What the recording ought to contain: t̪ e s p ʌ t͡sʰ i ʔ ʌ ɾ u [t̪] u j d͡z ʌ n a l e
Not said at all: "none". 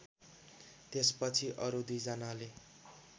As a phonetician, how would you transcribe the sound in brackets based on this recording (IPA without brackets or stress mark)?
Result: d̪